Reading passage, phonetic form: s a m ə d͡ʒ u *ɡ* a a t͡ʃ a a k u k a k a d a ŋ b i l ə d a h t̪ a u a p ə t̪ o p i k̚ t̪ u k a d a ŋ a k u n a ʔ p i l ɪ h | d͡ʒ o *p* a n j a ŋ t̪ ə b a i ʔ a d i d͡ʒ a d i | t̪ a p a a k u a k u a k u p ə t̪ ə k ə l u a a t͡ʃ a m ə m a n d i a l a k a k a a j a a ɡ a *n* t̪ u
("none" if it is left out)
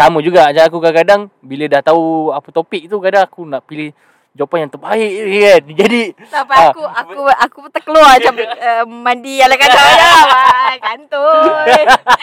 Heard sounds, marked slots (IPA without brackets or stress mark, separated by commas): ɡ, p, n